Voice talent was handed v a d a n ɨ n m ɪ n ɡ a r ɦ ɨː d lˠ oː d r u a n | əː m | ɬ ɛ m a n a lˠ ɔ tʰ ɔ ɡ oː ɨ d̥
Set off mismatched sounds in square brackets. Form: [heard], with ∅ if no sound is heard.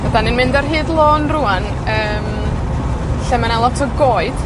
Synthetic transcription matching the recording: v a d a n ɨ n m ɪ n [d] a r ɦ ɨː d lˠ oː [n] r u a n | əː m | ɬ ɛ m a n a lˠ ɔ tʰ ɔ ɡ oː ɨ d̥